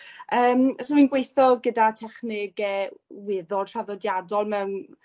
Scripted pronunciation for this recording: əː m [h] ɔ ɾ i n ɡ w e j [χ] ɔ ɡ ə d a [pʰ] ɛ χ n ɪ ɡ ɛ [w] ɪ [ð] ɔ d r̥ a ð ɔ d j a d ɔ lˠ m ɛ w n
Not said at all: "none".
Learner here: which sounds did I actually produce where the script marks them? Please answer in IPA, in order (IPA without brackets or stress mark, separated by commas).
s, θ, tʰ, w, ð